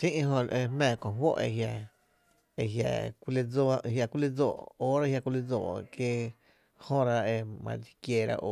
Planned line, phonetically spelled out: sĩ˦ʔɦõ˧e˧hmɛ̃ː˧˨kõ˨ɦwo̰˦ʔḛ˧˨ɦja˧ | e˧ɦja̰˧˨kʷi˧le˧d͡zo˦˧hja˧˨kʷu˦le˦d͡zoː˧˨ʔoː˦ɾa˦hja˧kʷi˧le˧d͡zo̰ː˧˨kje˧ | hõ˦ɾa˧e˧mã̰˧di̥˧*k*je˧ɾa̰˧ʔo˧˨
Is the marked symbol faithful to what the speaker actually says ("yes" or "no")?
yes